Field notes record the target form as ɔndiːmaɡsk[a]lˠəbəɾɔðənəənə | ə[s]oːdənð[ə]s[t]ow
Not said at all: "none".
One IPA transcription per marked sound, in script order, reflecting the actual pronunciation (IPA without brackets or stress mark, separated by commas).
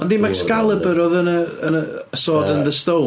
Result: a, s, ə, t